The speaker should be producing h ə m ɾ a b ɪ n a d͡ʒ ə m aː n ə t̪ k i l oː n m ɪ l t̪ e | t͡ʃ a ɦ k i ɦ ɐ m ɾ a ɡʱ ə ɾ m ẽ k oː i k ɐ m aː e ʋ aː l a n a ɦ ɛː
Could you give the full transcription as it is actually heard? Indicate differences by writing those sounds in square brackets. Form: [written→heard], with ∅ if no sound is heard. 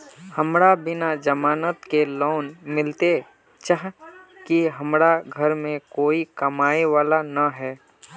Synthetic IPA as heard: h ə m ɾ a b ɪ n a d͡ʒ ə m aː n ə t̪ k [i→e] l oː n m ɪ l t̪ e | t͡ʃ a ɦ k i ɦ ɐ m ɾ a ɡʱ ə ɾ m ẽ k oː i k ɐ m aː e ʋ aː l a n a ɦ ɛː

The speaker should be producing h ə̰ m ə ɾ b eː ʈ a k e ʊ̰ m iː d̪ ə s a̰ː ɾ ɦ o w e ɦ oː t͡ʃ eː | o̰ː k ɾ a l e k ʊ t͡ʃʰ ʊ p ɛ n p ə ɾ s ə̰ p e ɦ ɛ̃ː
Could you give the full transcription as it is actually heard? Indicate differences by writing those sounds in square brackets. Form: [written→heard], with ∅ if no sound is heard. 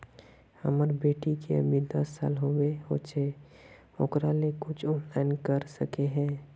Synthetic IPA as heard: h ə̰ m ə ɾ b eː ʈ [a→i] k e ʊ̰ m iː d̪ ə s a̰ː [ɾ→l] ɦ o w e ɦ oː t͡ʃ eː | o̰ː k ɾ a l e k ʊ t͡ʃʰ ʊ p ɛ n [p→k] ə ɾ s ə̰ [p→k] e ɦ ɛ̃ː

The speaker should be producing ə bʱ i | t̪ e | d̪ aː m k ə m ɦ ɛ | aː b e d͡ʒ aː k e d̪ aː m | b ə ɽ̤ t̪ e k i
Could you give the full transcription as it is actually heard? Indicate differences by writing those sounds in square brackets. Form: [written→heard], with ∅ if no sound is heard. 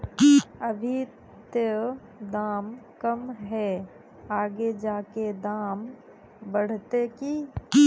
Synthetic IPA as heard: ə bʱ i | t̪ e | d̪ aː m k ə m ɦ ɛ | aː [b→ɡ] e d͡ʒ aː k e d̪ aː m | b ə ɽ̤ t̪ e k i

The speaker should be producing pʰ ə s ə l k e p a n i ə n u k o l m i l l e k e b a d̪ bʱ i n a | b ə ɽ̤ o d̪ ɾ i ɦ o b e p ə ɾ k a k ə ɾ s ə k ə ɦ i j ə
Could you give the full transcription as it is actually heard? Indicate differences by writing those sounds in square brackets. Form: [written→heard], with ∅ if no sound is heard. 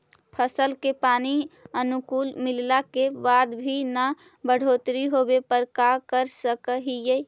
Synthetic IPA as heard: pʰ ə s ə l k e p a n i ə n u k [o→u] l m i l l [e→a] k e b a d̪ bʱ i n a | b ə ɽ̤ o [d̪→t̪] ɾ i ɦ o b e p ə ɾ k a k ə ɾ s ə k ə ɦ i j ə

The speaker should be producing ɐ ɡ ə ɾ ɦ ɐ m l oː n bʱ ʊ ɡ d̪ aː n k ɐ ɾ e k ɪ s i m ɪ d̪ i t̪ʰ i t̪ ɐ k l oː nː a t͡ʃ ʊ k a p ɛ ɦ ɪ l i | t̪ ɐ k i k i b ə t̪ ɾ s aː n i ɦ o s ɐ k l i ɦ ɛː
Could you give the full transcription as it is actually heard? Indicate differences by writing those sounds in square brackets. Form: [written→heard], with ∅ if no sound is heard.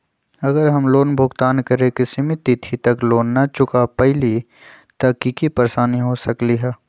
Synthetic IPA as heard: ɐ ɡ ə ɾ ɦ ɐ m l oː n bʱ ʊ ɡ [d̪→t̪] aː n k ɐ ɾ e k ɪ s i m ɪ [d̪→t̪] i t̪ʰ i t̪ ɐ k l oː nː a t͡ʃ ʊ k a p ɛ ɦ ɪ l i | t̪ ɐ k i k i [b→p] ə [t̪→∅] ɾ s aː n i ɦ o s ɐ k l i ɦ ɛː

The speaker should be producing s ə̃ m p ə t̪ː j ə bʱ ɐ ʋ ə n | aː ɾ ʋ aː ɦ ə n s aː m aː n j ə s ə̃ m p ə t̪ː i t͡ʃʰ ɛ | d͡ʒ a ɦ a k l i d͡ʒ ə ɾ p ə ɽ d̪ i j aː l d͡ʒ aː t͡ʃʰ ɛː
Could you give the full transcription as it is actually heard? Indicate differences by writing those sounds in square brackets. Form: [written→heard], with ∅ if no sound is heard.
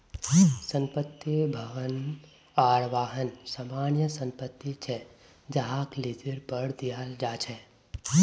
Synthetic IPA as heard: s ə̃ m p ə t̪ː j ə bʱ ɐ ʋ ə n | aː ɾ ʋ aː ɦ ə n s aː m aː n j ə s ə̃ m p ə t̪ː i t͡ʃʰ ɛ | d͡ʒ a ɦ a k l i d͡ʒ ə ɾ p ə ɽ d̪ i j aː l d͡ʒ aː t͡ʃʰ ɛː

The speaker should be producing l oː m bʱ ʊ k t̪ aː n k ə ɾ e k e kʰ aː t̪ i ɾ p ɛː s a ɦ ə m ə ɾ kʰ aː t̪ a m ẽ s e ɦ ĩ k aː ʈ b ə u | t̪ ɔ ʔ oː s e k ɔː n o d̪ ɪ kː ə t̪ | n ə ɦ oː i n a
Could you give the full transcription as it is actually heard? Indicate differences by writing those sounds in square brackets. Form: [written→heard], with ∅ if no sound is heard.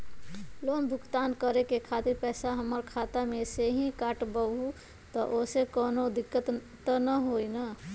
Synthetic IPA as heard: l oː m bʱ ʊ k t̪ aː n k ə ɾ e k e kʰ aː t̪ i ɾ p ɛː s a ɦ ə m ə ɾ kʰ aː t̪ a m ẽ s e ɦ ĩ k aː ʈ b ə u | t̪ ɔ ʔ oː s e k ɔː n o d̪ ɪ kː ə t̪ | n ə ɦ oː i n a

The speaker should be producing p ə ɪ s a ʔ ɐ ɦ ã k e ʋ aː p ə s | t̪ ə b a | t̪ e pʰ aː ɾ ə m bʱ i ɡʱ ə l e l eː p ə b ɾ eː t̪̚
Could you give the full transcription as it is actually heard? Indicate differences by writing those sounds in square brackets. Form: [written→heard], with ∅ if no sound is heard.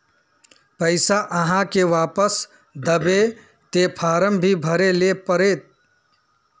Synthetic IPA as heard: p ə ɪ s a ʔ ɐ ɦ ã k e ʋ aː p ə s | [t̪→d̪] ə b [a→e] | t̪ e pʰ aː ɾ ə m bʱ i [ɡʱ→bʱ] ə [l→ɾ] e l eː p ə [b→∅] ɾ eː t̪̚

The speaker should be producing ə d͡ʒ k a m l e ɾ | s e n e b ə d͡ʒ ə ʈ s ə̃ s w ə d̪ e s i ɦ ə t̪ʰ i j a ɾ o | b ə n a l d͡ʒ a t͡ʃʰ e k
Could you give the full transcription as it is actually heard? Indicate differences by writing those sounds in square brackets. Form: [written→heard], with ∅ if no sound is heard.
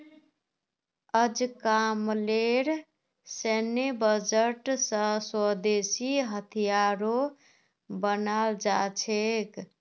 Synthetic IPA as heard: ə d͡ʒ k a m l e ɾ | s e n e b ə d͡ʒ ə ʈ s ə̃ s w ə d̪ e s i ɦ ə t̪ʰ i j a ɾ o | b ə n a l d͡ʒ a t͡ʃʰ e k

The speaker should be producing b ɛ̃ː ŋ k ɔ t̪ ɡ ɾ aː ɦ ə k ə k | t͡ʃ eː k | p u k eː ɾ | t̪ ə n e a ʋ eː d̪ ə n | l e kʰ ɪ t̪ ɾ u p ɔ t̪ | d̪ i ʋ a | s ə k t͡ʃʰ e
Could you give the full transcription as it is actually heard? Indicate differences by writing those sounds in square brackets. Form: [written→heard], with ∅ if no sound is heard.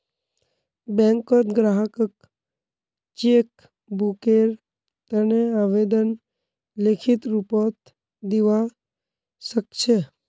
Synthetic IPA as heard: b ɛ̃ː ŋ k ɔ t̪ ɡ ɾ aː ɦ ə k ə k | t͡ʃ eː k | [p→b] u k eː ɾ | t̪ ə n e a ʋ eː d̪ ə n | l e kʰ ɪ t̪ ɾ u p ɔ t̪ | d̪ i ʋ a | s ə k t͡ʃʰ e

